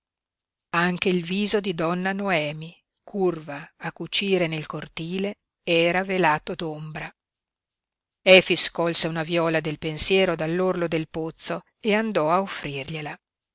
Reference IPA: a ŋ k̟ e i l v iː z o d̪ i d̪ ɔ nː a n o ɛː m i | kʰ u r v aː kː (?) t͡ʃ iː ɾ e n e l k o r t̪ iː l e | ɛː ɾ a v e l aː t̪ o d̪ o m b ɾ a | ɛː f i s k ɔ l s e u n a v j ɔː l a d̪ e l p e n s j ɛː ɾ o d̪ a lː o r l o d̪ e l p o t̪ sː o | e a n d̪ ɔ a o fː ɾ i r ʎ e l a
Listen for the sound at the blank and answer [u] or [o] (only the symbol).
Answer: u